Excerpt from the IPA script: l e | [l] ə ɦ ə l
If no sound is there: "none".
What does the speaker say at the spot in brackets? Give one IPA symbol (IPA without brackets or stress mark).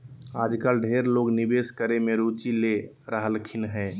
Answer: ɾ